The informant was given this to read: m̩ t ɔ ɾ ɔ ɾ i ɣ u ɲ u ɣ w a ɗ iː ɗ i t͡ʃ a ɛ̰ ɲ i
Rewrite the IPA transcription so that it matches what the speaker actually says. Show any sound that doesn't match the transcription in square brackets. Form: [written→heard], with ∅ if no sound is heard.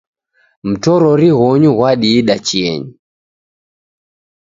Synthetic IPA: m̩ t ɔ ɾ ɔ ɾ i ɣ [u→ɔ] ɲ u ɣ w a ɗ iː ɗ [i→a] t͡ʃ [a→i] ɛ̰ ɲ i